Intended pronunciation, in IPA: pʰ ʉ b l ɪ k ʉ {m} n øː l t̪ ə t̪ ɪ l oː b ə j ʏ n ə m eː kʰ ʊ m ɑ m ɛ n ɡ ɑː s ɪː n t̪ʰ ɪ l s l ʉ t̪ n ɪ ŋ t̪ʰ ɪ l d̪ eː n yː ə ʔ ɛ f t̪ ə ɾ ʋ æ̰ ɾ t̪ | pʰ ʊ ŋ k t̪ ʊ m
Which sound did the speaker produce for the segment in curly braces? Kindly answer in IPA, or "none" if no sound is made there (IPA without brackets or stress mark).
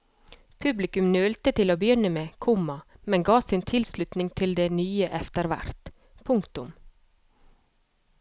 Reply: m